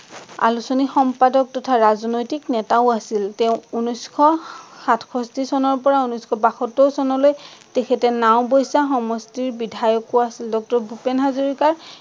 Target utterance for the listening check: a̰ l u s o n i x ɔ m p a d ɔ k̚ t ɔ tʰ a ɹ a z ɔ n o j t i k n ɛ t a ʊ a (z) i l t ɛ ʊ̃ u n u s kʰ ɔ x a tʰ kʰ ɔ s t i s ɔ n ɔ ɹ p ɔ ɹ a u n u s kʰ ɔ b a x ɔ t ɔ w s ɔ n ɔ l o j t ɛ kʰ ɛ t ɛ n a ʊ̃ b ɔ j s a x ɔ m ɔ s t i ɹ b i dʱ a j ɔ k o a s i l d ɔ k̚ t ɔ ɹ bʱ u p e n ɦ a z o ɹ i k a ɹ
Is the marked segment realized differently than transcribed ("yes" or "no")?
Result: yes